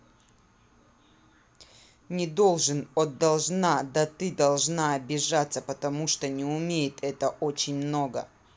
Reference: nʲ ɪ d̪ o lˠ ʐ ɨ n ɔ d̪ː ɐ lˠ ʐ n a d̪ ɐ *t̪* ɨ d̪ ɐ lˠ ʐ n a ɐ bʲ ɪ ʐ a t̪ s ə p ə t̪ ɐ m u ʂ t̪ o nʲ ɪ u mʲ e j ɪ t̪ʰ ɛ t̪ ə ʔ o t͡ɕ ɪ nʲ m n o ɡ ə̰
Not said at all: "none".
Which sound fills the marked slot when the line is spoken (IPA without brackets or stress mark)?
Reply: t̪